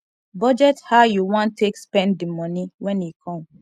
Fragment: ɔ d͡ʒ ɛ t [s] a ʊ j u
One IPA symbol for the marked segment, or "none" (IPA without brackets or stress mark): h